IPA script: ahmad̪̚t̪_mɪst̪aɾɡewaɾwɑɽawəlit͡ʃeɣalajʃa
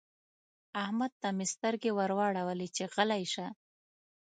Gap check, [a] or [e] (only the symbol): a